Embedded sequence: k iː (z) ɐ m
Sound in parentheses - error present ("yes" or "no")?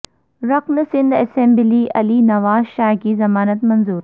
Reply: no